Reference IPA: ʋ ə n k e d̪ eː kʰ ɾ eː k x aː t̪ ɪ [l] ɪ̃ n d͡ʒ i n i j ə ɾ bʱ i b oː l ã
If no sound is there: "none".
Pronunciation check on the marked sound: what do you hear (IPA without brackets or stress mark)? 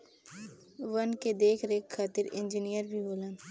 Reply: ɾ